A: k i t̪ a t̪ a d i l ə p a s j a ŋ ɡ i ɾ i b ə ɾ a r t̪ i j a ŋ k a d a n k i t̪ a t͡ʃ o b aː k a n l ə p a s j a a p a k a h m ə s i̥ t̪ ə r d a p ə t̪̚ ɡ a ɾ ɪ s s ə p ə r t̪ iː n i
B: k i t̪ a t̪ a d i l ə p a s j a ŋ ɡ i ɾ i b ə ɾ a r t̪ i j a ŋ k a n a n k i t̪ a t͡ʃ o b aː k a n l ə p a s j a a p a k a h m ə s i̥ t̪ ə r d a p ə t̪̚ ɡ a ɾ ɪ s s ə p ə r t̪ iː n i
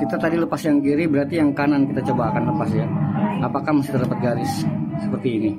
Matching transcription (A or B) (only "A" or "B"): B